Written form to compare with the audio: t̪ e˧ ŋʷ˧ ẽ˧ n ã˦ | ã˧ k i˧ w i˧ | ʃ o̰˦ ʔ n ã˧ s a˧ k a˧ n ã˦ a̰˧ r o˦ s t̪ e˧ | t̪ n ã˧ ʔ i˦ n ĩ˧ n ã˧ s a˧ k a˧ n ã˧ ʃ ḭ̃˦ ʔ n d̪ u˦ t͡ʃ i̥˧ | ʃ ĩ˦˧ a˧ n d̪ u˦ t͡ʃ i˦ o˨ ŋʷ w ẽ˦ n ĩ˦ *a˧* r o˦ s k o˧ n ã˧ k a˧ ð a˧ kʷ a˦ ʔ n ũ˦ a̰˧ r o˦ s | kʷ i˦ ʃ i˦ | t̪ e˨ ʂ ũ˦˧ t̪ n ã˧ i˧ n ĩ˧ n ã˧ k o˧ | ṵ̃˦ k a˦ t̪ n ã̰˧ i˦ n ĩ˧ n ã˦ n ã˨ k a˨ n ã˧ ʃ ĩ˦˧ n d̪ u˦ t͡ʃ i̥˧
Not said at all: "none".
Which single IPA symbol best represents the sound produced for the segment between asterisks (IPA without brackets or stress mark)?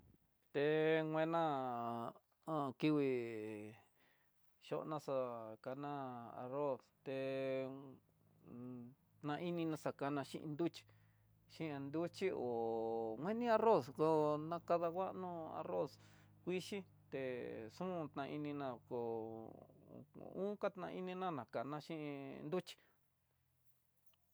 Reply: a˧